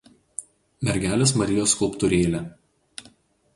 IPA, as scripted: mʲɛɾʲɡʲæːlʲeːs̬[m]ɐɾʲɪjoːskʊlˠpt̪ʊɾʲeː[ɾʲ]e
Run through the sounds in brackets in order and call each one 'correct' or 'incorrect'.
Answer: correct, incorrect: lʲ

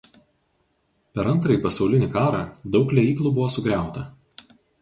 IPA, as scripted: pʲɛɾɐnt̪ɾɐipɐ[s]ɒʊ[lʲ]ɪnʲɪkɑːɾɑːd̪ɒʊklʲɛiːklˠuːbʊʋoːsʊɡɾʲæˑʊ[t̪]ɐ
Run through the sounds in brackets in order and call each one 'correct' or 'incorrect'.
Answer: correct, correct, correct

